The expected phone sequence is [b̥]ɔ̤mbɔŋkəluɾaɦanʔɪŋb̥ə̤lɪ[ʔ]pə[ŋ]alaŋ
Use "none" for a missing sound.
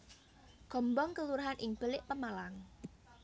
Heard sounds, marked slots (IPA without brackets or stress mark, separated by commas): ɡ̥, ʔ, m